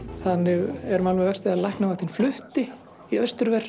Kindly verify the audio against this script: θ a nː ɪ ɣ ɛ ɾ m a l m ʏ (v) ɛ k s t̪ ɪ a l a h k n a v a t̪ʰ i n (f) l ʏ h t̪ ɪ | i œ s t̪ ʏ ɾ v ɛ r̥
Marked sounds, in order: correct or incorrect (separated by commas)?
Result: correct, correct